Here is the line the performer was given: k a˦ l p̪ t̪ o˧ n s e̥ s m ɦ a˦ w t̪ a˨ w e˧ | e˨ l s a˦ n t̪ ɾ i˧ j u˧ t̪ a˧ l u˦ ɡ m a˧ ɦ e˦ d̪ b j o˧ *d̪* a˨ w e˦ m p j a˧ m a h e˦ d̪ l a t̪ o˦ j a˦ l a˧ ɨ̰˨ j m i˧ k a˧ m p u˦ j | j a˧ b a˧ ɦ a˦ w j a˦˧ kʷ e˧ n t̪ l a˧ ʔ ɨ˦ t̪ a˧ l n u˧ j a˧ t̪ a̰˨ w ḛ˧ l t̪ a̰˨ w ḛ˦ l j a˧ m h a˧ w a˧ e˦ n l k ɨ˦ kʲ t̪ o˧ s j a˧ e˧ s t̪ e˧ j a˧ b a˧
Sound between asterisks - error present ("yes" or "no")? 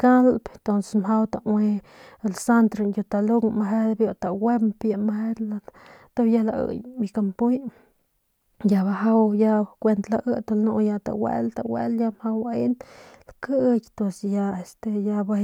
yes